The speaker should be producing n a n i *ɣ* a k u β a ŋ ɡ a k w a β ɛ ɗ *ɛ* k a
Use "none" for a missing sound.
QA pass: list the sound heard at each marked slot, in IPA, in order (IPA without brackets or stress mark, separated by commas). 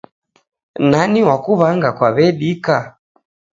w, i